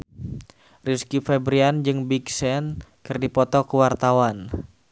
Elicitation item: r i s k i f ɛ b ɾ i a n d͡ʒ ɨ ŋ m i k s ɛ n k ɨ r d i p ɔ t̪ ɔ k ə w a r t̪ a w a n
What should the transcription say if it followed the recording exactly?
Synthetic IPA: r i s k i f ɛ b ɾ i a n d͡ʒ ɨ ŋ b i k s ɛ n k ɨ r d i p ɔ t̪ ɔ k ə w a r t̪ a w a n